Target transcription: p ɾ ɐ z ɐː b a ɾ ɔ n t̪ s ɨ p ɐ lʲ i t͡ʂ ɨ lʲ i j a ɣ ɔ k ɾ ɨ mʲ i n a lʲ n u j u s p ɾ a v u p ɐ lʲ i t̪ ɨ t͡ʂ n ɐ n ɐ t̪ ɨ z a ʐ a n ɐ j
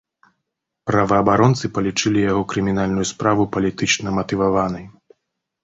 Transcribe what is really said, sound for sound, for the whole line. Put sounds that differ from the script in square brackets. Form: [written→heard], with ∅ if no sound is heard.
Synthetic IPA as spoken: p ɾ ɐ [z→v] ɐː b a ɾ ɔ n t̪ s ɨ p ɐ lʲ i t͡ʂ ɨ lʲ i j a ɣ ɔ k ɾ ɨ mʲ i n a lʲ n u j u s p ɾ a v u p ɐ lʲ i t̪ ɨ t͡ʂ n ɐ [n→m] ɐ t̪ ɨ [z→v] a [ʐ→v] a n ɐ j